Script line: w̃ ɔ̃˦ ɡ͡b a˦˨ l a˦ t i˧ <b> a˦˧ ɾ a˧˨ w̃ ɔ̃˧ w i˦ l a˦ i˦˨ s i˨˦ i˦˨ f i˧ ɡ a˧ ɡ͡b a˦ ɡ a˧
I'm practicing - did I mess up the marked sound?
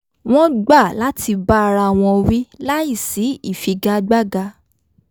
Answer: no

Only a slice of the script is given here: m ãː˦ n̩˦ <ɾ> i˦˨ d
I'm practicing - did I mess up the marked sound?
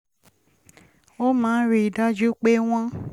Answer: no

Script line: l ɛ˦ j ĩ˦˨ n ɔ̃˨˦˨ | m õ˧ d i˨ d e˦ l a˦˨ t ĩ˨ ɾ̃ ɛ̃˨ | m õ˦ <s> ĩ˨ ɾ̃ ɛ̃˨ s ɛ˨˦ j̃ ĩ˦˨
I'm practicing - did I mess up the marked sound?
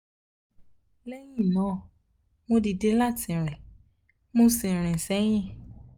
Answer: no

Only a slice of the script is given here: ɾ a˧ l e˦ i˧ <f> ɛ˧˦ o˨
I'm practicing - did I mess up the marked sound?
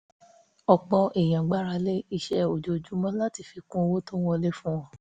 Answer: yes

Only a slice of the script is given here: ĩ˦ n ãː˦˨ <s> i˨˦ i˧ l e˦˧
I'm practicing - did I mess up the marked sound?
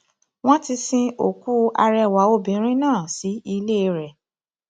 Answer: no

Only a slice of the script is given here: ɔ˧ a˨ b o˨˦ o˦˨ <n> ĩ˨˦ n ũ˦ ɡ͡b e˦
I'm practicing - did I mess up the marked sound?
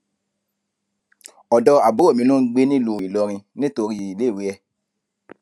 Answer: yes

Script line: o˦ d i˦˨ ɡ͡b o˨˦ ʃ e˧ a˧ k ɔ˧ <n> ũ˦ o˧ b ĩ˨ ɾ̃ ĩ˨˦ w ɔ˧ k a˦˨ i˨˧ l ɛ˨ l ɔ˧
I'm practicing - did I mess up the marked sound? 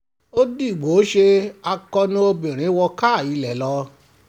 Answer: no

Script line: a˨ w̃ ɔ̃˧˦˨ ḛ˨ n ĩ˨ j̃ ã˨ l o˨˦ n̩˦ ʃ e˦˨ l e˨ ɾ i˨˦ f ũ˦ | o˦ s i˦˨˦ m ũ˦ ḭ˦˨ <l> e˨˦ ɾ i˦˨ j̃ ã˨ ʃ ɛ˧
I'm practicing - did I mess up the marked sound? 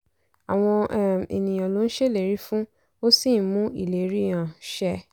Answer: no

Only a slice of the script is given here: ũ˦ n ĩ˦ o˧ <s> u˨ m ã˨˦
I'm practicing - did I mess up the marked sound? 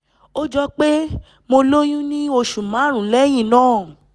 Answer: yes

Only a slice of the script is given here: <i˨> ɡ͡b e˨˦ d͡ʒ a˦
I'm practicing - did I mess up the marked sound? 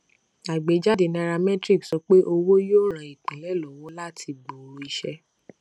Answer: yes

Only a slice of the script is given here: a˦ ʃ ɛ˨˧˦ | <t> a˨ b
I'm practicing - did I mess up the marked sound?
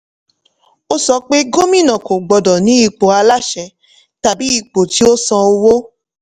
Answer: no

